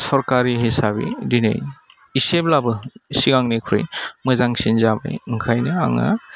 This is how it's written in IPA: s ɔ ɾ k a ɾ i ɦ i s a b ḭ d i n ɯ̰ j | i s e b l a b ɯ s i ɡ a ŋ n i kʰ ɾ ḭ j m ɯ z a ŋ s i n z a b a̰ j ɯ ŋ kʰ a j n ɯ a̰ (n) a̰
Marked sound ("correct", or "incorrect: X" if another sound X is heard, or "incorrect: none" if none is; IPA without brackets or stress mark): incorrect: ŋ